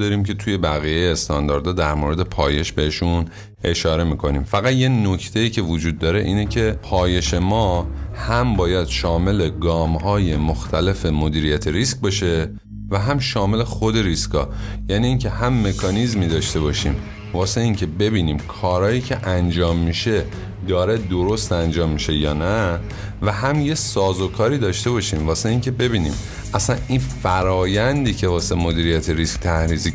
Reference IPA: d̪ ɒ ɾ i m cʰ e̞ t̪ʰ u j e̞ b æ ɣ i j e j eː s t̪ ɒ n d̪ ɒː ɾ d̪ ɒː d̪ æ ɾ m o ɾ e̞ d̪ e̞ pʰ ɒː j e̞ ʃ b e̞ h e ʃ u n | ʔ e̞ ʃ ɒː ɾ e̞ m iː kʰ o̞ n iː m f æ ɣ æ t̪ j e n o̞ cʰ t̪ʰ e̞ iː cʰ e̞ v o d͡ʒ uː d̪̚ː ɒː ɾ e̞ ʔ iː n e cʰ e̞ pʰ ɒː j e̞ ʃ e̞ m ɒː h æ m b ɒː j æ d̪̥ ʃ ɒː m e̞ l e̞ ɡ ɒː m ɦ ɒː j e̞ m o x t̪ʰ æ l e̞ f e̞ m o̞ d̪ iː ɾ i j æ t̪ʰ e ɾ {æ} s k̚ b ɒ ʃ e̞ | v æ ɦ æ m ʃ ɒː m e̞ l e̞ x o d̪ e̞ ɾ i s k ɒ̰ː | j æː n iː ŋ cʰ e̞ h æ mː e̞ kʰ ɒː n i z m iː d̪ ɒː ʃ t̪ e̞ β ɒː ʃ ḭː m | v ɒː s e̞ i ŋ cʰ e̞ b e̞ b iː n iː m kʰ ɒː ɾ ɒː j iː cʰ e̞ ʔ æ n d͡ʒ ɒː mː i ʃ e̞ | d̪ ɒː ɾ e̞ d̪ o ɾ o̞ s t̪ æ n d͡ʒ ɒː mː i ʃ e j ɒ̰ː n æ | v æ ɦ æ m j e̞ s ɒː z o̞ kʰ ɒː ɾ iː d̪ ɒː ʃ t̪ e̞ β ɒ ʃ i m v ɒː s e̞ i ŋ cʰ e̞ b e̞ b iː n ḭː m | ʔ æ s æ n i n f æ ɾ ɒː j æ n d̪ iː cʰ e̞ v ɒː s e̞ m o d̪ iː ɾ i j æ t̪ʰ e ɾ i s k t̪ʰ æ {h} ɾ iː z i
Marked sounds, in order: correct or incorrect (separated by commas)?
incorrect, correct